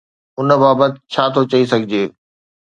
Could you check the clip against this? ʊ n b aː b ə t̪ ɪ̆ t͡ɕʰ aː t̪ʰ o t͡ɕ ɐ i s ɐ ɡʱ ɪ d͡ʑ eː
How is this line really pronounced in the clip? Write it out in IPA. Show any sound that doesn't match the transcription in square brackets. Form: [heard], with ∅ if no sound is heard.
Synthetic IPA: ʊ n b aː b ə t̪ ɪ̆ t͡ɕʰ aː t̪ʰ o t͡ɕ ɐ i s ɐ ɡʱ ɪ d͡ʑ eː